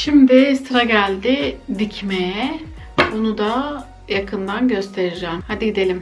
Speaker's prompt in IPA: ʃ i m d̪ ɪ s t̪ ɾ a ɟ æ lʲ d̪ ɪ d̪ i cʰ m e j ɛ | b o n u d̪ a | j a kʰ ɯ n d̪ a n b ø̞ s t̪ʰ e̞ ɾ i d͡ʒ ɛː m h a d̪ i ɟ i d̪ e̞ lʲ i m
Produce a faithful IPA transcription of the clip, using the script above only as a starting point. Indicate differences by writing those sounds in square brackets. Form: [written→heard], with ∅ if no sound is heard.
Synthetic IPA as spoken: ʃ i m d̪ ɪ s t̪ ɾ a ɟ æ lʲ d̪ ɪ d̪ i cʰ m e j ɛ | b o n u d̪ a | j a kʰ ɯ n d̪ a n [b→ɟ] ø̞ s t̪ʰ e̞ ɾ i d͡ʒ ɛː m h a d̪ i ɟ i d̪ e̞ lʲ i m